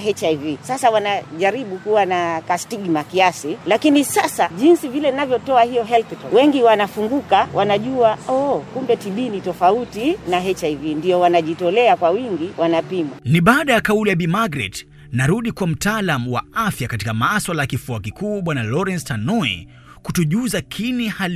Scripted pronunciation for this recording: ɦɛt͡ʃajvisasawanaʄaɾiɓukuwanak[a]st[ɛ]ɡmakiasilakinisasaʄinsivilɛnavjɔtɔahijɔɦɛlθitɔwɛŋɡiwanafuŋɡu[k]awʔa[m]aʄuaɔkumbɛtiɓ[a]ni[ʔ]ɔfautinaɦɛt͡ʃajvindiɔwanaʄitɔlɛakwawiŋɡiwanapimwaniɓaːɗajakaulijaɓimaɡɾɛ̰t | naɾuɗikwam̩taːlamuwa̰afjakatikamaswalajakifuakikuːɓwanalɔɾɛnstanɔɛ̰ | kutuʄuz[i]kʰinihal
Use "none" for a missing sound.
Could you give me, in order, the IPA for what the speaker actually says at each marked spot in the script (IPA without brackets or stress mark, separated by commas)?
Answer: a, i, k, n, i, t, a